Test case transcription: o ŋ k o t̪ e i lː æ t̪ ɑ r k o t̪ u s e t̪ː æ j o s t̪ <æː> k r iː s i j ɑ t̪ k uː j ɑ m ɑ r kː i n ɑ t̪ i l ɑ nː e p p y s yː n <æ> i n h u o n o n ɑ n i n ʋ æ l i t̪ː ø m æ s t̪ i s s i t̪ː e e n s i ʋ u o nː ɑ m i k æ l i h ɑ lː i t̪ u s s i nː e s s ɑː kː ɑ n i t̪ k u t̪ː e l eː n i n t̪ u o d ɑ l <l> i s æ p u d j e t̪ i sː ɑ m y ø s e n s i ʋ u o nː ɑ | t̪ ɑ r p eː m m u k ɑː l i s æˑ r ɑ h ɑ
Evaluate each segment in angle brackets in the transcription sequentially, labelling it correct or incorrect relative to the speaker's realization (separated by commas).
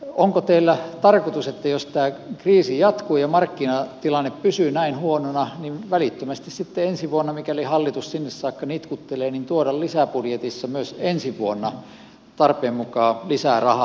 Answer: correct, correct, correct